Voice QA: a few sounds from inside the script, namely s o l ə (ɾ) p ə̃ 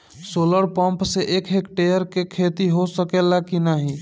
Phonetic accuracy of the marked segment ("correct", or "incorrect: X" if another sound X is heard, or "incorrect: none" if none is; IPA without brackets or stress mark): correct